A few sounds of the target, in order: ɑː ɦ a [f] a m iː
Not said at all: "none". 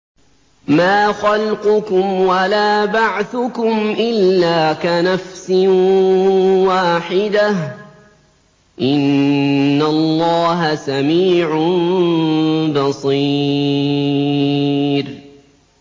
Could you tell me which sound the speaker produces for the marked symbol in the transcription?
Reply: s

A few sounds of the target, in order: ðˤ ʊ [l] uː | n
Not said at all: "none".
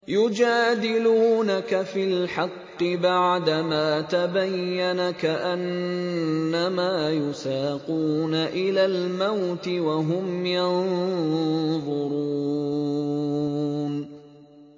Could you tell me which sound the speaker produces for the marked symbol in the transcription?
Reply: ɾ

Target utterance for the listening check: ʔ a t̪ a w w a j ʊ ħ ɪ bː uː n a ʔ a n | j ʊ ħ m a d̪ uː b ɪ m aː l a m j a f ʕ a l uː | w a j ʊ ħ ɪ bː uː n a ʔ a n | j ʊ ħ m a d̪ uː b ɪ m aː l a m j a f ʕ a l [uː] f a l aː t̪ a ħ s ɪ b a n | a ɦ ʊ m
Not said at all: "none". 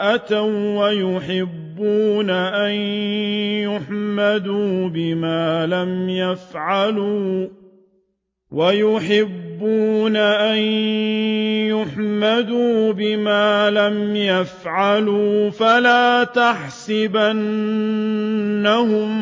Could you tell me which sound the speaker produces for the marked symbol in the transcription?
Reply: uː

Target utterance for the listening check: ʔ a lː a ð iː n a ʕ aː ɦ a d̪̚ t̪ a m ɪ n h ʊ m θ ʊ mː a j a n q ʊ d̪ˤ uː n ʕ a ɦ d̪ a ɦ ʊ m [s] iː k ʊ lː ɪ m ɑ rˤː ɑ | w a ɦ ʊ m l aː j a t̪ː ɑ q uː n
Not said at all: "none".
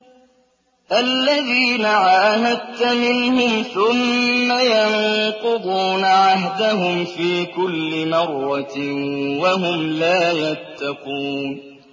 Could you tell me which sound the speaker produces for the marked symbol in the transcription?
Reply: f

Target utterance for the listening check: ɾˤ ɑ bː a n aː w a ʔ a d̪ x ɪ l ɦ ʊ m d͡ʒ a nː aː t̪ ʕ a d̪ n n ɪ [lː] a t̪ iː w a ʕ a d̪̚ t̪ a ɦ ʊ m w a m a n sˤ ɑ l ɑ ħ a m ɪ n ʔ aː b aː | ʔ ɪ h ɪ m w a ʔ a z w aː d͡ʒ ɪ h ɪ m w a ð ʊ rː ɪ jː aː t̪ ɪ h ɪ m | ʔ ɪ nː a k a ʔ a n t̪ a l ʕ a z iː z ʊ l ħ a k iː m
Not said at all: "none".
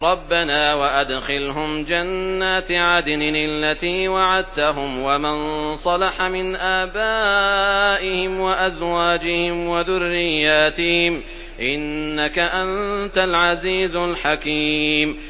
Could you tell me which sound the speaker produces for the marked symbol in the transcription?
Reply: lː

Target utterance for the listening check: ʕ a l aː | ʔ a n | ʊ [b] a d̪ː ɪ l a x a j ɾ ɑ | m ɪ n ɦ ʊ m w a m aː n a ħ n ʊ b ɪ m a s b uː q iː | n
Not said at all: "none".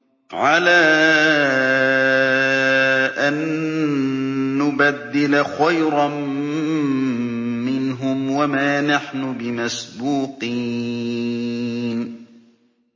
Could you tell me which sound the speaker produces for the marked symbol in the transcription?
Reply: b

